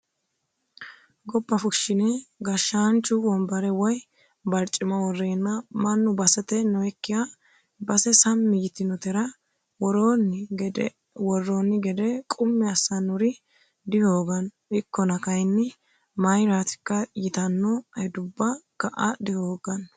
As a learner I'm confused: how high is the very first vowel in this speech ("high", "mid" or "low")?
mid